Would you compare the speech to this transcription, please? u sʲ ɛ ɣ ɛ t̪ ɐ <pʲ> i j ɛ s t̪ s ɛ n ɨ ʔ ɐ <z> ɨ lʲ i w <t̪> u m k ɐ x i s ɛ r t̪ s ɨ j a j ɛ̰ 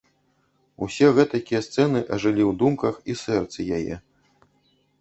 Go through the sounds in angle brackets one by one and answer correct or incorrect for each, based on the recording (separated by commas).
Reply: incorrect, incorrect, incorrect